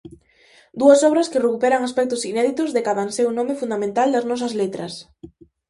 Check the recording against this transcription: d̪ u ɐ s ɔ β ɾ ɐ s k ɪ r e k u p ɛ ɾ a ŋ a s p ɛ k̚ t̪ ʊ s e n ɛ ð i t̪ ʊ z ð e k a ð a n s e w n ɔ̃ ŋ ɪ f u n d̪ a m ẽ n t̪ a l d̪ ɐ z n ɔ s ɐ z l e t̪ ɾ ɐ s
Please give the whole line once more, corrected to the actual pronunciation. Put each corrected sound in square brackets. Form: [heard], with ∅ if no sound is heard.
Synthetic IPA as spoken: d̪ u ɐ s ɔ β ɾ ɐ s k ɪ r e k u p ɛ ɾ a ŋ a s p ɛ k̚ t̪ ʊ s [i] n ɛ ð i t̪ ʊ z ð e k a ð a n s e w n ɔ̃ [m] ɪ f u n d̪ a m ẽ n t̪ a l d̪ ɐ z n ɔ s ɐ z l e t̪ ɾ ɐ s